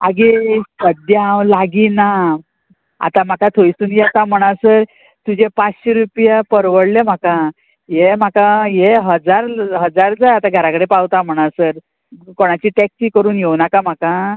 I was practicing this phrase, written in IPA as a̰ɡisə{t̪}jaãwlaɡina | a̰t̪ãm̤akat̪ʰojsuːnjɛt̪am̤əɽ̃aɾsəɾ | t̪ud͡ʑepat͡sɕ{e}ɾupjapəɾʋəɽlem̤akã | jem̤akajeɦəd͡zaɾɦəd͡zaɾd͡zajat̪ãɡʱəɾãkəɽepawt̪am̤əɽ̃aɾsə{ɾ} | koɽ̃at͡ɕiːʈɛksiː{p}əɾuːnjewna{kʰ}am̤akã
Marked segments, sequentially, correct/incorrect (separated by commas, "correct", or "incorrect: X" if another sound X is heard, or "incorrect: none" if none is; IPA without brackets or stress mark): incorrect: d̪, correct, correct, incorrect: k, incorrect: k